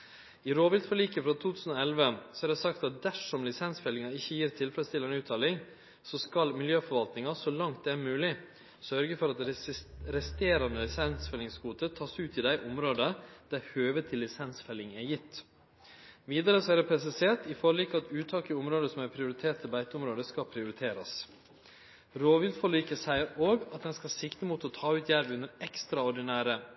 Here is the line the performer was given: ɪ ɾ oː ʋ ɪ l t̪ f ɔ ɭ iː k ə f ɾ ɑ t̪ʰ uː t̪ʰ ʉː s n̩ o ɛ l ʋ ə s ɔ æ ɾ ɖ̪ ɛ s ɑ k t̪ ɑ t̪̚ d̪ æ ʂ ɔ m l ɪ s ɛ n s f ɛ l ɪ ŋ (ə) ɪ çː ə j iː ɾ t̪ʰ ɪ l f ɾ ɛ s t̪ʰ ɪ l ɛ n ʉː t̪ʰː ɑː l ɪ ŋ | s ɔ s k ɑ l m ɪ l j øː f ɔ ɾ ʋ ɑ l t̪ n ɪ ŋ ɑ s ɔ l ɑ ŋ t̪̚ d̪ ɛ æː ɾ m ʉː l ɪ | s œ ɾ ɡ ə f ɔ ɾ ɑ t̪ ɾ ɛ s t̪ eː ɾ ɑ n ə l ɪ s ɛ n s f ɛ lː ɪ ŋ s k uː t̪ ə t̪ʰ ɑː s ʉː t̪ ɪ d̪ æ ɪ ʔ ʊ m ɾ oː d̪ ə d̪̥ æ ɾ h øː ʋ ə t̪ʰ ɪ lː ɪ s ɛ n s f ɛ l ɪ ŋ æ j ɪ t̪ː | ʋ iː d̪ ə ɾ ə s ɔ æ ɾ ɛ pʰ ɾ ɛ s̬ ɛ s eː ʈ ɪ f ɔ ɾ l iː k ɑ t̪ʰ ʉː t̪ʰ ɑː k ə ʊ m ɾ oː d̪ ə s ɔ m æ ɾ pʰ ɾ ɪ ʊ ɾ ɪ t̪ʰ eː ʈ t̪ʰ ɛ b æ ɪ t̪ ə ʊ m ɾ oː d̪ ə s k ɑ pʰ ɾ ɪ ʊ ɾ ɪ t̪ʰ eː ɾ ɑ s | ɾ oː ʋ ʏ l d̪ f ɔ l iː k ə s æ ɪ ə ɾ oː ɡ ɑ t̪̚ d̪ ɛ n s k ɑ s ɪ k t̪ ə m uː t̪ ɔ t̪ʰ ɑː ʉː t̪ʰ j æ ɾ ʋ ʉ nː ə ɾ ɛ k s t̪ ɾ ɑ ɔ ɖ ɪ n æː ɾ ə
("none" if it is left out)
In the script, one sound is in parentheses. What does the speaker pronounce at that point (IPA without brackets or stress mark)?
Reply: ɑ